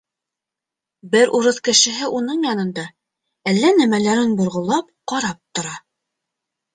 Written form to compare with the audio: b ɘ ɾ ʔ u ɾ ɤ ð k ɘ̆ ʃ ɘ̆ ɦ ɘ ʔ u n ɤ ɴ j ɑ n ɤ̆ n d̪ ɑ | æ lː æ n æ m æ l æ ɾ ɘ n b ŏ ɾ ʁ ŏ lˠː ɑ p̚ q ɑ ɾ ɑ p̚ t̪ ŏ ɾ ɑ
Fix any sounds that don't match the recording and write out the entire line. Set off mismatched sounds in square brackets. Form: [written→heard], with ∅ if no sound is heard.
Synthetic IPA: b ɘ ɾ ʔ u ɾ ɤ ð k ɘ̆ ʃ ɘ̆ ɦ ɘ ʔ u n ɤ ɴ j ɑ n ɤ̆ n d̪ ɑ | æ lː æ n æ m æ l æ ɾ ɘ n b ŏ ɾ ʁ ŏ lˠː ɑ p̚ q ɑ ɾ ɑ p̚ t̪ ŏ ɾ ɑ